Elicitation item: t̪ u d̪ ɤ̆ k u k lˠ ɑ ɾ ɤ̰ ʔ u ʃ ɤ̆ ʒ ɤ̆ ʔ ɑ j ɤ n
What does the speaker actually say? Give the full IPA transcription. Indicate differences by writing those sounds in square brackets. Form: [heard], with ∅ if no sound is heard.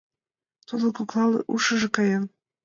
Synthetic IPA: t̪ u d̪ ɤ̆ k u k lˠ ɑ [l] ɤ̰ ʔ u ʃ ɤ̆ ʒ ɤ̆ [k] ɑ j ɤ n